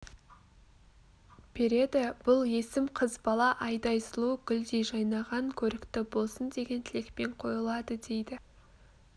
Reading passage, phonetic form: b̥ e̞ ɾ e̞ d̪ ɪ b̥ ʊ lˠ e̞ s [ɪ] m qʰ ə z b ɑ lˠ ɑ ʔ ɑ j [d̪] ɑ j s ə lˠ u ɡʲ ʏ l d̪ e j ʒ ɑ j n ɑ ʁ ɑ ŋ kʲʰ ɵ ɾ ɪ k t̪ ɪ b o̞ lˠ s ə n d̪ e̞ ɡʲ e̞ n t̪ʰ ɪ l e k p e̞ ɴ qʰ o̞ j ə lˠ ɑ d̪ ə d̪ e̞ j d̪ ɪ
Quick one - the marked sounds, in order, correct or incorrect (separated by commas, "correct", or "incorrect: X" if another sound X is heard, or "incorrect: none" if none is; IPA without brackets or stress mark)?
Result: correct, correct